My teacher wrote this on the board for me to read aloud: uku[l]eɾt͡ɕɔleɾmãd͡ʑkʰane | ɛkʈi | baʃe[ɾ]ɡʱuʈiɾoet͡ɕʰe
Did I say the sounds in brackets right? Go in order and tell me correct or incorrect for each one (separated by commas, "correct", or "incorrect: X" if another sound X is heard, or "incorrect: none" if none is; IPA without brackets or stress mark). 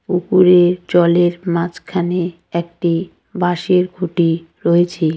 incorrect: ɾ, correct